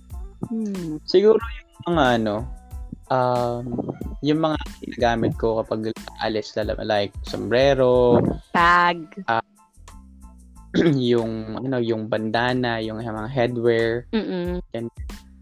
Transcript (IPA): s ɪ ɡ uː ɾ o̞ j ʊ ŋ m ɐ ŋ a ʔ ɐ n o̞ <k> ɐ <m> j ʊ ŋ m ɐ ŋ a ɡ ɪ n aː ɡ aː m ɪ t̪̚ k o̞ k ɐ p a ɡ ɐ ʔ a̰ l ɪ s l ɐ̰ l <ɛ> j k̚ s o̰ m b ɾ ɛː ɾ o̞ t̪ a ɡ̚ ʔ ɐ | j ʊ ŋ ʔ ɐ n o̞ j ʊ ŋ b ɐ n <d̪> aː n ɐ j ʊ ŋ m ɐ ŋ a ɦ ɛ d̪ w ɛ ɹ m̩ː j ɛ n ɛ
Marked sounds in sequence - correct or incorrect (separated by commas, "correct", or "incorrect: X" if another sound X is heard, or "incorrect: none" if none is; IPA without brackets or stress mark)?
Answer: incorrect: ʔ, correct, incorrect: a, correct